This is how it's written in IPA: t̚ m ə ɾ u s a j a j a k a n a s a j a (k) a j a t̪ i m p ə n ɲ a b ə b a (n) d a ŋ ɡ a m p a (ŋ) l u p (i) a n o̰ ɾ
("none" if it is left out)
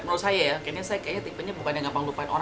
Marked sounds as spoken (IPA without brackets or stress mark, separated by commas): k, n, ŋ, a